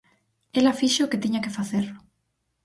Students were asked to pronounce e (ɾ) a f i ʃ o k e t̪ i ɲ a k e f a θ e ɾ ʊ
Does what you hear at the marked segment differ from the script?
yes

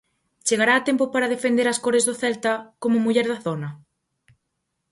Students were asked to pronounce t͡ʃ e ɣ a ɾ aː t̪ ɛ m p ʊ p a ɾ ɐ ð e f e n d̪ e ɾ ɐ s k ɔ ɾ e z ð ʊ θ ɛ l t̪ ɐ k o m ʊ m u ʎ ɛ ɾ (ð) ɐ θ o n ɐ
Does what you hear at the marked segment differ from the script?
no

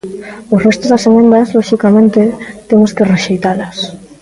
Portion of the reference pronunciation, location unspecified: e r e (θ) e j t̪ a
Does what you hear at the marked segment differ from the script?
yes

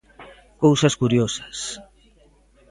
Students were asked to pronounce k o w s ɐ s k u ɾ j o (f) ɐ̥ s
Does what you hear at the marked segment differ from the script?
yes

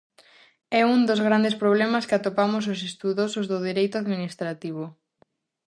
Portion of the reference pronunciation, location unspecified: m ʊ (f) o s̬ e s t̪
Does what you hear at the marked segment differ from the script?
yes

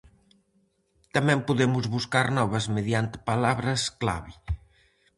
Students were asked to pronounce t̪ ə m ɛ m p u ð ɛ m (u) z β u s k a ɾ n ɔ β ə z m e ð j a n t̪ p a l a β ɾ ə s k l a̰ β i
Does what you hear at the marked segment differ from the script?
no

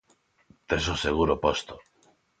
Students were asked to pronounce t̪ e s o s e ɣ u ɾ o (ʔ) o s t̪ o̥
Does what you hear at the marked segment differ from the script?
yes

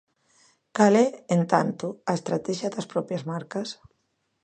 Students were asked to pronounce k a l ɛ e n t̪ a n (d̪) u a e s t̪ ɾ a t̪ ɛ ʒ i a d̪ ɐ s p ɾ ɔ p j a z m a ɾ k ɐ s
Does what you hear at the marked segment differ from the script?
yes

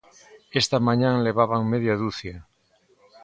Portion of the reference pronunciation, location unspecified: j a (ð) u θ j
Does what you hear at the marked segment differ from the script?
no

